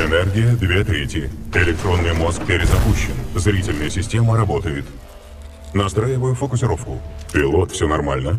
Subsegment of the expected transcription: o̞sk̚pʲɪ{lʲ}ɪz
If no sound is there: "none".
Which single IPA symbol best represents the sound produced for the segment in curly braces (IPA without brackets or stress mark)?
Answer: ɾʲ